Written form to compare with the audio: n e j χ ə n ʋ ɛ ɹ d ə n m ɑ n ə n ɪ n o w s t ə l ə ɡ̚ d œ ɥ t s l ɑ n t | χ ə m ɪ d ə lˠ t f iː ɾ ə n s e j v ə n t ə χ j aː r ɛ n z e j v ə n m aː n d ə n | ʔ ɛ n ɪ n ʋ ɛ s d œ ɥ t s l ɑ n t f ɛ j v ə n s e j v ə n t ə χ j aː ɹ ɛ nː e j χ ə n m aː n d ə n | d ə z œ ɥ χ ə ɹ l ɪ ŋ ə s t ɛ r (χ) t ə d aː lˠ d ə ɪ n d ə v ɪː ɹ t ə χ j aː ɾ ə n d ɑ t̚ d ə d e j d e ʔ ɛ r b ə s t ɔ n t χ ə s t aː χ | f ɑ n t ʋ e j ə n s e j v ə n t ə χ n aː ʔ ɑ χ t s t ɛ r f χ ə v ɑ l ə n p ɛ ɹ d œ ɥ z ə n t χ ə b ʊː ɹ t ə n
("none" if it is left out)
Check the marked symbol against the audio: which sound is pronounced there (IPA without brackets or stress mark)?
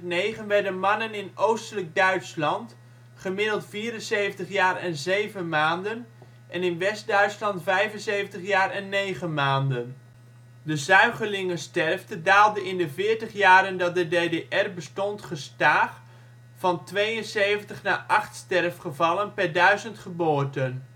f